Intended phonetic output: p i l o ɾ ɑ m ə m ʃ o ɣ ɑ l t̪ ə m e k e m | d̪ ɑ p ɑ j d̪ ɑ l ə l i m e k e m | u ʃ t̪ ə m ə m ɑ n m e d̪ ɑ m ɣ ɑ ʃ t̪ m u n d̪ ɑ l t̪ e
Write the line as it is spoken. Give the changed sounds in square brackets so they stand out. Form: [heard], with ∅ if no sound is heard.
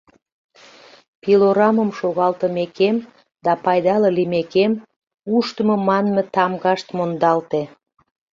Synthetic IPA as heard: p i l o ɾ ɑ m ə m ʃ o ɣ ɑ l t̪ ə m e k e m | d̪ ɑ p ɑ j d̪ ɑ l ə l i m e k e m | u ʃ t̪ ə m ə m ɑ n m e [t̪] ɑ m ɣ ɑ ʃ t̪ m [o] n d̪ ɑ l t̪ e